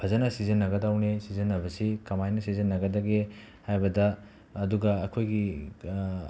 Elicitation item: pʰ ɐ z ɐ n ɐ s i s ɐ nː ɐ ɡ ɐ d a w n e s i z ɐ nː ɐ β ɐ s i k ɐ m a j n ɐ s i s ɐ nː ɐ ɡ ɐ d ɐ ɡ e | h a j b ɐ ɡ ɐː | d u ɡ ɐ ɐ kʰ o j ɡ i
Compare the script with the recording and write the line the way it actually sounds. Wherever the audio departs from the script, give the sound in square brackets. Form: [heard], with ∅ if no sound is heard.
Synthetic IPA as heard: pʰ ɐ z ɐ n ɐ s i [z] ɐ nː ɐ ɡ ɐ d a w n e s i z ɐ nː ɐ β ɐ s i k ɐ m a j n ɐ s i [z] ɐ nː ɐ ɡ ɐ d ɐ ɡ e | h a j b ɐ [d] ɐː | d u ɡ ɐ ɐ kʰ o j ɡ i

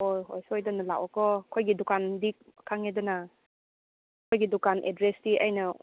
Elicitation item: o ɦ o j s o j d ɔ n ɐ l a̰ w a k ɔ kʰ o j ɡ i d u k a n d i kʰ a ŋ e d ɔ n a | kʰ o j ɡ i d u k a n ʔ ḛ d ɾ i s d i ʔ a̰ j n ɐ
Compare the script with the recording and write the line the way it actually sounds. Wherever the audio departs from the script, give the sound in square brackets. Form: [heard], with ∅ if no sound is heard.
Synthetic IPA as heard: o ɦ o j s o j d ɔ n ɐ l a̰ w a k ɔ kʰ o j ɡ i d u k a n d i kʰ a ŋ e d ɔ n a | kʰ o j ɡ i d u k a n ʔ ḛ d ɾ [e] s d i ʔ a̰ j n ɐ

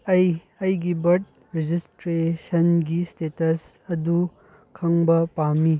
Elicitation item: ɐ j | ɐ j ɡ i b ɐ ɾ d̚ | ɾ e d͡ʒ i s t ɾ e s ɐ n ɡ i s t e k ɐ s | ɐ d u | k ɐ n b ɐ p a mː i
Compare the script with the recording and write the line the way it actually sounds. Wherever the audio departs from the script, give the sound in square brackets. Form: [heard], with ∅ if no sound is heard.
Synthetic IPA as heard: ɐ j | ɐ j ɡ i b ɐ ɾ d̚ | ɾ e d͡ʒ i s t ɾ e s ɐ n ɡ i s t e [t] ɐ s | ɐ d u | [kʰ] ɐ [ŋ] b ɐ p a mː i

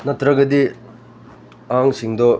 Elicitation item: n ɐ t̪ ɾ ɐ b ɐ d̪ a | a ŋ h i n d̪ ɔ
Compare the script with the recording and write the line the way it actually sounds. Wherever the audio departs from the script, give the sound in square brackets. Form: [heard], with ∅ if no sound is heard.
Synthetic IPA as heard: n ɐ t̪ ɾ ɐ [ɡ] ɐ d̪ [i] | a ŋ [s] i [ŋ] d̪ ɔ

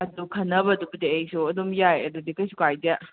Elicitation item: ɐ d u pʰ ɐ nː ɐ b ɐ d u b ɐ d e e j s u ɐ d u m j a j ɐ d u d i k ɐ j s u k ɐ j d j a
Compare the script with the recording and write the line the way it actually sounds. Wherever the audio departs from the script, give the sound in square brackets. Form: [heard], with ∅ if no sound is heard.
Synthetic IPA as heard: ɐ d u [kʰ] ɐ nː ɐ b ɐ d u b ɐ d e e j s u ɐ d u m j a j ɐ d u d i k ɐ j s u k [a] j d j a

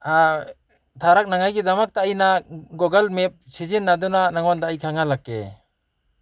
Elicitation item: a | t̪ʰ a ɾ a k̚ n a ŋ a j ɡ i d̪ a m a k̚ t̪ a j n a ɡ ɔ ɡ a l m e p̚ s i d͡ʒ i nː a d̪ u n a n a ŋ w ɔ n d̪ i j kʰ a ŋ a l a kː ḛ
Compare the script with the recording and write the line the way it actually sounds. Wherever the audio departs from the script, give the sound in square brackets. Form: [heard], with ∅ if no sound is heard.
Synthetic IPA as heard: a | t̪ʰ a ɾ a k̚ n a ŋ a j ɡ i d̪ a m a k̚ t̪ a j n a ɡ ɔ ɡ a l m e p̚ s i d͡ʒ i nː a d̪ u n a n a ŋ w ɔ n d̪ [a] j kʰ a ŋ a l a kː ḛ

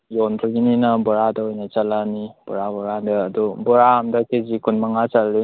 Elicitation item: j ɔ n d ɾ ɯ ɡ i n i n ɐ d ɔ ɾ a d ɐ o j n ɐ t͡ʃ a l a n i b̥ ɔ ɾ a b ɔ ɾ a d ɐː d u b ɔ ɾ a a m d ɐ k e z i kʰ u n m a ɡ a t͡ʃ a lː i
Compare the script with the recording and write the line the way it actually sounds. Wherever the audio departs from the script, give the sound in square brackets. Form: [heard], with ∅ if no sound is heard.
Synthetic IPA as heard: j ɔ n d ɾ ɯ ɡ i n i n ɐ [b] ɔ ɾ a d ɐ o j n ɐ t͡ʃ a l a n i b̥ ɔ ɾ a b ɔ ɾ a d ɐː d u b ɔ ɾ a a m d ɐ k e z i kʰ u n m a [ŋ] a t͡ʃ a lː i

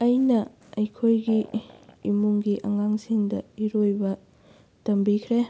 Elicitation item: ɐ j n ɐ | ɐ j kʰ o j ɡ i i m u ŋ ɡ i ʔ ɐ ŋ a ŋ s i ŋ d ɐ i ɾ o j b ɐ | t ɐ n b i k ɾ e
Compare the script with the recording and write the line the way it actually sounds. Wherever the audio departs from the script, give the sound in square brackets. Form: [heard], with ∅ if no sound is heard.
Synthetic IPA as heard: ɐ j n ɐ | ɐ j kʰ o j ɡ i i m u ŋ ɡ i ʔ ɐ ŋ a ŋ s i ŋ d ɐ i ɾ o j b ɐ | t ɐ [m] b i [kʰ] ɾ e

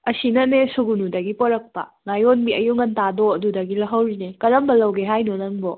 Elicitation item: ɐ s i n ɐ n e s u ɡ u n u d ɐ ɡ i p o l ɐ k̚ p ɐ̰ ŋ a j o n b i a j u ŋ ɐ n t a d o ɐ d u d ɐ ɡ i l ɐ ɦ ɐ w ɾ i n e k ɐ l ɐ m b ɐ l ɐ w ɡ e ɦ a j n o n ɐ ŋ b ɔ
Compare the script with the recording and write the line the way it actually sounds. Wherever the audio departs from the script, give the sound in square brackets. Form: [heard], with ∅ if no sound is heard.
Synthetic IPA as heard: ɐ s i n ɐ n e s u ɡ u n u d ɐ ɡ i p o [ɾ] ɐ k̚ p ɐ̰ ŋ a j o n b i [ɐ] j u ŋ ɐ n t a d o ɐ d u d ɐ ɡ i l ɐ ɦ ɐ w ɾ i n e k ɐ [ɾ] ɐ m b ɐ l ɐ w ɡ e ɦ a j n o n ɐ ŋ b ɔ

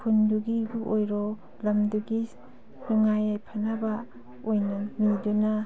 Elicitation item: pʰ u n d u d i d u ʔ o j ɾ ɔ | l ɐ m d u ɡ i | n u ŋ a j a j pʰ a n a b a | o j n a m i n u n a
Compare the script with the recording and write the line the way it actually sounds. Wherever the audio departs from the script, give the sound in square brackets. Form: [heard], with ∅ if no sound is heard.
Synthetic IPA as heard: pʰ u n d u [ɡ] i [b] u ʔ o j ɾ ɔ | l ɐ m d u ɡ i | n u ŋ a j a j pʰ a n a b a | o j n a m i [d] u n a

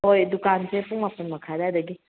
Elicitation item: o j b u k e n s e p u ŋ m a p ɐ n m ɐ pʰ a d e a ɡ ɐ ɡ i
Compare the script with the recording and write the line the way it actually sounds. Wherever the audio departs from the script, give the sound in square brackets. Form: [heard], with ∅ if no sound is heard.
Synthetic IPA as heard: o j [d] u k [a] n s e p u ŋ m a p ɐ n m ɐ [kʰ] a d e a [d] ɐ ɡ i

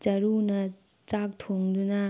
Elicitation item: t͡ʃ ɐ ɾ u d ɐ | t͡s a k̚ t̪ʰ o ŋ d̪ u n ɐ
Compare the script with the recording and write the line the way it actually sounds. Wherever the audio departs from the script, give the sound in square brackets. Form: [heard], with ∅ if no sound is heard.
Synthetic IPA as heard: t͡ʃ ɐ ɾ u [n] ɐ | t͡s a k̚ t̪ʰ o ŋ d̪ u n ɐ

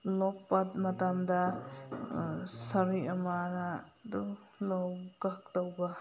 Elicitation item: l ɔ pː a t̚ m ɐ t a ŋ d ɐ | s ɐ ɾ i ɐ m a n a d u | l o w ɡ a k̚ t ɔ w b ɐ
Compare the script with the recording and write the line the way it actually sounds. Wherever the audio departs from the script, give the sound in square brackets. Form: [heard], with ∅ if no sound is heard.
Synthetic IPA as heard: l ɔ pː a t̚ m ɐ t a [m] d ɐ | s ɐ ɾ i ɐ m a n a d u | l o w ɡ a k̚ t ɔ w b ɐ

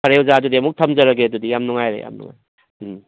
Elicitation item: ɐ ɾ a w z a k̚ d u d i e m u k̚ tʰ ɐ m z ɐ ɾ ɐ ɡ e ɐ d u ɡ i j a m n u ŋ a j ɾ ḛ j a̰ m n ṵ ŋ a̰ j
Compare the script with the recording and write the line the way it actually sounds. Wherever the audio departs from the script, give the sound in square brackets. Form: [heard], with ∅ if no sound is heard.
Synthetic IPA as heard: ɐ ɾ [e] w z a [∅] d u d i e m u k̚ tʰ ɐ m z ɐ ɾ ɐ ɡ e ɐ d u [d] i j a m n u ŋ a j ɾ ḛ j a̰ m n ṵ ŋ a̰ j

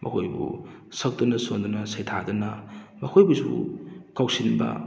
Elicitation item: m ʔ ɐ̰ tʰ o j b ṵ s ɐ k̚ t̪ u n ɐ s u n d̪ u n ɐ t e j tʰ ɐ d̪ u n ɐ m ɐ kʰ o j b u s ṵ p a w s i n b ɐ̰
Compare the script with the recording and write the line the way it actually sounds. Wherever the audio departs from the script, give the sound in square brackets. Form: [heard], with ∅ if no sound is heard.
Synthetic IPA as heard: m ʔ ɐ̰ [kʰ] o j b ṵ s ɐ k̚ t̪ u n ɐ s [o] n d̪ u n ɐ [s] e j tʰ [a] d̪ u n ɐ m ɐ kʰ o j b u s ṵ [k] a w s i n b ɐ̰

